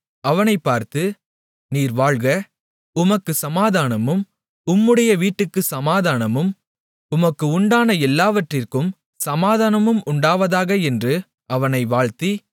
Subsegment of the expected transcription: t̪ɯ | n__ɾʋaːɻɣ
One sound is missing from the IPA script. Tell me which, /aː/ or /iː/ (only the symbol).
iː